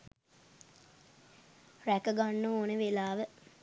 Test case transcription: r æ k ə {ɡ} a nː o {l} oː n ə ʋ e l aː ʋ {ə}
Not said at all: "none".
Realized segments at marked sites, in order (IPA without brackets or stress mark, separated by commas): ɡ, none, ə